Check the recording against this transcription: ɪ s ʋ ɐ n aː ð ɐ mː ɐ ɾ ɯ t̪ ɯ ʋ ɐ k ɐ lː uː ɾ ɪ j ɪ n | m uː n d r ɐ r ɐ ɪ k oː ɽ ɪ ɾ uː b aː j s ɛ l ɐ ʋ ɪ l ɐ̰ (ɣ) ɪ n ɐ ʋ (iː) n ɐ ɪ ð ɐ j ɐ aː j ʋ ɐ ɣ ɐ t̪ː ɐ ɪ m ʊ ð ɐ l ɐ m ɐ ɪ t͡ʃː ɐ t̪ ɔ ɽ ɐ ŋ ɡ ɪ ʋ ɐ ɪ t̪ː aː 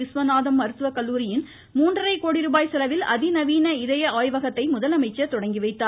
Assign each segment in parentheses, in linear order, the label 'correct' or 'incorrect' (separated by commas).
incorrect, correct